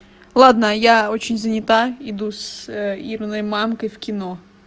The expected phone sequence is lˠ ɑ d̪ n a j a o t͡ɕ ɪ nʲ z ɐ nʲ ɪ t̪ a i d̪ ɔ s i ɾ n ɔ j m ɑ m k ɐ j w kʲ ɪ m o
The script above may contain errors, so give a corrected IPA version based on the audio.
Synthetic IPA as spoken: lˠ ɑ d̪ n ɐ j a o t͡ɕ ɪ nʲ z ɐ nʲ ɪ t̪ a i d̪ u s i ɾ n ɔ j m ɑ m k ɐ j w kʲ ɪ n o